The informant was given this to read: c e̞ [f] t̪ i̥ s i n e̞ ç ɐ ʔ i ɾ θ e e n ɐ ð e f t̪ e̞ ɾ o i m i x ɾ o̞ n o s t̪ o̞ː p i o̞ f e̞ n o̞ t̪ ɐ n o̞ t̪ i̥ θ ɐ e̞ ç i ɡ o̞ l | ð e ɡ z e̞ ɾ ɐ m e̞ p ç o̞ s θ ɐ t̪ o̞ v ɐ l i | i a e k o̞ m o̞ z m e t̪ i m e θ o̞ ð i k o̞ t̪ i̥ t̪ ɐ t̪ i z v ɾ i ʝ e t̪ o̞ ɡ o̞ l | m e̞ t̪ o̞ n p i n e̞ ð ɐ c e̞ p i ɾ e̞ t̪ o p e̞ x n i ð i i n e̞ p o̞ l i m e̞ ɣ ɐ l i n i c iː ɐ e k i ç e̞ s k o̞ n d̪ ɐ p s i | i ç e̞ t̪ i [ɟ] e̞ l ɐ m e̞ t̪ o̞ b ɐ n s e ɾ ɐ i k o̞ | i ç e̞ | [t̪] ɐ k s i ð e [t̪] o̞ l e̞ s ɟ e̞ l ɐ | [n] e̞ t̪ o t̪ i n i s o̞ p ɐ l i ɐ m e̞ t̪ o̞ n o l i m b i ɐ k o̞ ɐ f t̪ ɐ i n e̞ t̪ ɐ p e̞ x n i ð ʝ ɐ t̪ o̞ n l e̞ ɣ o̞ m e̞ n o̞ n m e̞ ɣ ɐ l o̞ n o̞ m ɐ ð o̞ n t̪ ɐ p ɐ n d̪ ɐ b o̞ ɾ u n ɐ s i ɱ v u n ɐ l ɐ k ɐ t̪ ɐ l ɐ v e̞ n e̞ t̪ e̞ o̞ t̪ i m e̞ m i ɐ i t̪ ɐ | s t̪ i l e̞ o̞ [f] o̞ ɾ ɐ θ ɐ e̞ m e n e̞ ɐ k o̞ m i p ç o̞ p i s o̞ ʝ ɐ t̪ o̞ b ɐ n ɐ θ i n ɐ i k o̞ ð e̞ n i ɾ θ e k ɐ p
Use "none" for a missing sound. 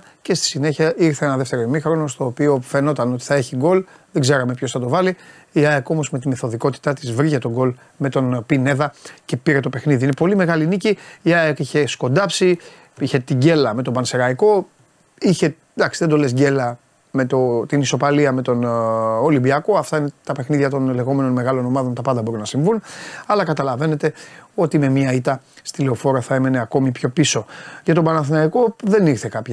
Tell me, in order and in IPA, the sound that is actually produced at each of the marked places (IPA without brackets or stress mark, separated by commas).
s, ɟ, d̪, d̪, m, f